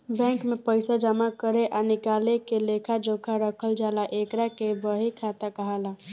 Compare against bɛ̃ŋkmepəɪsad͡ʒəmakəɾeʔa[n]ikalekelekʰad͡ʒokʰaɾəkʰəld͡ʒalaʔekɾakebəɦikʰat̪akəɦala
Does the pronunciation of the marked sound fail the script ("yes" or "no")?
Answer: no